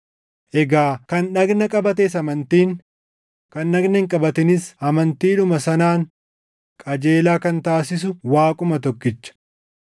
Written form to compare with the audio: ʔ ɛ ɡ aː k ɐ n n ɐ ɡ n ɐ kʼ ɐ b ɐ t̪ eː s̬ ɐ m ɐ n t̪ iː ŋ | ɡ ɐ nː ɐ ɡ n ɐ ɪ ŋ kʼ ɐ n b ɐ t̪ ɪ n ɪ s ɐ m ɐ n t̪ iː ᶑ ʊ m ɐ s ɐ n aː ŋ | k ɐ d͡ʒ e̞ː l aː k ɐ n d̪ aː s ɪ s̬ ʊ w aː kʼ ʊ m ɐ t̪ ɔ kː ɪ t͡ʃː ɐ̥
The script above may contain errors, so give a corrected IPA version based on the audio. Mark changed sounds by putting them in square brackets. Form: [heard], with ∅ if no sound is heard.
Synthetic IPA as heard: ʔ ɛ ɡ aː k ɐ n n ɐ ɡ n ɐ kʼ ɐ b ɐ t̪ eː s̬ ɐ m ɐ n t̪ iː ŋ | [k] ɐ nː ɐ ɡ n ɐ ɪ ŋ kʼ ɐ [∅] b ɐ t̪ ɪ n ɪ s ɐ m ɐ n t̪ iː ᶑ ʊ m ɐ s ɐ n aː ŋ | [kʼ] ɐ d͡ʒ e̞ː l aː k ɐ n [t̪] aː s ɪ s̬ ʊ w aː kʼ ʊ m ɐ t̪ ɔ kː ɪ t͡ʃː ɐ̥